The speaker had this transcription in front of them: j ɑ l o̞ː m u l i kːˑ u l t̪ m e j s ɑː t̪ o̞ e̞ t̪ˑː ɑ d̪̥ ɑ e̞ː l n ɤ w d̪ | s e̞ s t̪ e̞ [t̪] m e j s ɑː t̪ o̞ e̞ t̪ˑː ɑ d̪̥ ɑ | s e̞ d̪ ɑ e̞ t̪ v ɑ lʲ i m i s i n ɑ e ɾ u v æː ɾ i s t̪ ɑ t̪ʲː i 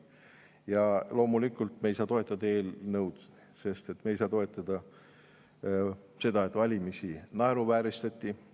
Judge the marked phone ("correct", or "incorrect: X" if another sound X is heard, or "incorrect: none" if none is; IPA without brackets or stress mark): correct